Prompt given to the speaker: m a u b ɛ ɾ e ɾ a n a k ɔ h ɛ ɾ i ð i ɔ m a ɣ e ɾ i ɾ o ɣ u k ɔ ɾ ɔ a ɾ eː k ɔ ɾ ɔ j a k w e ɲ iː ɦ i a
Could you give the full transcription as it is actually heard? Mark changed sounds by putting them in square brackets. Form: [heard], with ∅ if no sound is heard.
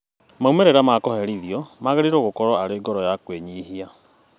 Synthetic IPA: m a u [m] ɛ ɾ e ɾ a [m] a k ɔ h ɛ ɾ i ð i ɔ m a ɣ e ɾ i ɾ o ɣ [o] k ɔ ɾ ɔ a ɾ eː [ɡ] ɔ ɾ ɔ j a k w e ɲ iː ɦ i a